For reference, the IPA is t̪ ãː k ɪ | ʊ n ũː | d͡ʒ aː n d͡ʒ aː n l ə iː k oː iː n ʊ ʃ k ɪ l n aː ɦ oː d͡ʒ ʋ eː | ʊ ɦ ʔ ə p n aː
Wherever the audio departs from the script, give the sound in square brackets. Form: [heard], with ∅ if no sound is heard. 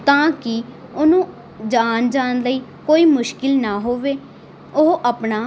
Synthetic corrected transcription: t̪ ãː k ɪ | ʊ n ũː | d͡ʒ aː n d͡ʒ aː n l ə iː k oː iː [m] ʊ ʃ k ɪ l n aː ɦ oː [∅] ʋ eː | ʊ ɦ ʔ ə p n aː

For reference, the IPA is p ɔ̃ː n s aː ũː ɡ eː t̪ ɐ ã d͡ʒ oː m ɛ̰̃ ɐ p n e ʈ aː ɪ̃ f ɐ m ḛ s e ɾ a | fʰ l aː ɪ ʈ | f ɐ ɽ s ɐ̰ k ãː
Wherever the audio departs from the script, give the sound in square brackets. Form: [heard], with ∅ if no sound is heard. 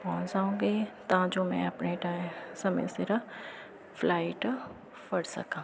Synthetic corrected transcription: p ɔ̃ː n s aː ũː ɡ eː t̪ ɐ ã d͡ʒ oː m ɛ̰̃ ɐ p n e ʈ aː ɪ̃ [s] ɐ m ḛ s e ɾ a | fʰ l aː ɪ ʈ | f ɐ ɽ s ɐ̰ k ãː

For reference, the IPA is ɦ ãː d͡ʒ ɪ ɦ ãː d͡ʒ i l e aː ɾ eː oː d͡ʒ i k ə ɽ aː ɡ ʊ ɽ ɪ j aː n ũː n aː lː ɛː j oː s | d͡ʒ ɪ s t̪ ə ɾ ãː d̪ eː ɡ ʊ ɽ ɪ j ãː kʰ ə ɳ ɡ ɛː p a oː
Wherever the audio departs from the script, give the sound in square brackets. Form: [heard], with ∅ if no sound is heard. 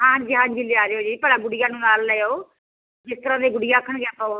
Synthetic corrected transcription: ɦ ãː d͡ʒ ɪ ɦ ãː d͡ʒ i l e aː ɾ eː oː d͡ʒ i [p] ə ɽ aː ɡ ʊ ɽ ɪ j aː n ũː n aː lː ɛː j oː [∅] | d͡ʒ ɪ s t̪ ə ɾ ãː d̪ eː ɡ ʊ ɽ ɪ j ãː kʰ ə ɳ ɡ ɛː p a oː

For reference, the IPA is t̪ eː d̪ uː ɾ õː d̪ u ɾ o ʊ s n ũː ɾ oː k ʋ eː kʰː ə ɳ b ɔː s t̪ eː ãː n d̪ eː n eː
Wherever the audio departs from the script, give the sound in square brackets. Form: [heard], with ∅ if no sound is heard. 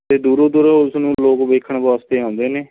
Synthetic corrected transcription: t̪ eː d̪ uː ɾ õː d̪ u ɾ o ʊ s n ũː [l] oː k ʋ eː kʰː ə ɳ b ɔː s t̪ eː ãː n d̪ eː n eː

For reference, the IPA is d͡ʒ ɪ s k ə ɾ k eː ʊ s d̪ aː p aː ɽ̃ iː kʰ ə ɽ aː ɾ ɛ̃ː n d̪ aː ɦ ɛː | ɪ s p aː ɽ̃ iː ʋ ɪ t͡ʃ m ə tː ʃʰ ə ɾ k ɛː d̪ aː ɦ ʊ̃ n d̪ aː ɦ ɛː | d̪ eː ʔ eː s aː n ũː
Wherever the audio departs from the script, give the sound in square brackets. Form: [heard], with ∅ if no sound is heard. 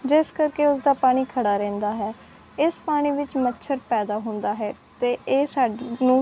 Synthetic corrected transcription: d͡ʒ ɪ s k ə ɾ k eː ʊ s d̪ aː p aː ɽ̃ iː kʰ ə ɽ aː ɾ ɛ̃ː n d̪ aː ɦ ɛː | ɪ s p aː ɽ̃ iː ʋ ɪ t͡ʃ m ə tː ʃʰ ə ɾ [p] ɛː d̪ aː ɦ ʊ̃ n d̪ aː ɦ ɛː | [t̪] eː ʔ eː s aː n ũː

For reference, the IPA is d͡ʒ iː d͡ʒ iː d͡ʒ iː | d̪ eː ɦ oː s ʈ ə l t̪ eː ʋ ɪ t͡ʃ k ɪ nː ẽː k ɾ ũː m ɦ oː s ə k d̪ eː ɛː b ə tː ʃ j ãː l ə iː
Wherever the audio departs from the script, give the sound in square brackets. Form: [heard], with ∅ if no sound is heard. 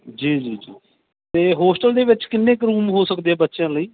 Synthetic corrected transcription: d͡ʒ iː d͡ʒ iː d͡ʒ iː | [t̪] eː ɦ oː s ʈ ə l [d̪] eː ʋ ɪ t͡ʃ k ɪ nː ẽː k ɾ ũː m ɦ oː s ə k d̪ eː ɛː b ə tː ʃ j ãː l ə iː

